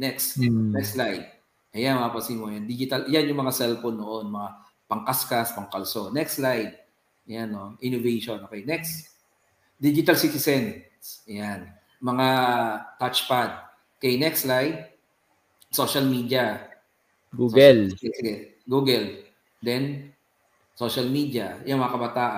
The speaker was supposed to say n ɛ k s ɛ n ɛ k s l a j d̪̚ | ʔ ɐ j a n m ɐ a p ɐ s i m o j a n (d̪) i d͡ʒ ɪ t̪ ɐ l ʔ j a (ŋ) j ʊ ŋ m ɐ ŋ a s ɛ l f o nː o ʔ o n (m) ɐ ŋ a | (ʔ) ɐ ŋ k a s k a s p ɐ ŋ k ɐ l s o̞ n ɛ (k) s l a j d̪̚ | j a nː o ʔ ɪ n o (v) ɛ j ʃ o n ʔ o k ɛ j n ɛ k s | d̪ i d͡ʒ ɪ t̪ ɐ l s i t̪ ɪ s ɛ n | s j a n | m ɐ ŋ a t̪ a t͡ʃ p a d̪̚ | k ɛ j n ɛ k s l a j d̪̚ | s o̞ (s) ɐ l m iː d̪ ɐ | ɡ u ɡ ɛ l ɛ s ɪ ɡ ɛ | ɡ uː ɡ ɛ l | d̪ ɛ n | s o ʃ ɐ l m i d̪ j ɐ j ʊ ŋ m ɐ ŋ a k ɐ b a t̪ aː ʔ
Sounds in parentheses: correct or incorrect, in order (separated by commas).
correct, incorrect, correct, incorrect, correct, correct, incorrect